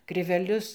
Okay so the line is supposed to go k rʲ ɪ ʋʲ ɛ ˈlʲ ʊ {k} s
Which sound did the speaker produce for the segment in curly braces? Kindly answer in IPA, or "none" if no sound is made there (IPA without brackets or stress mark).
none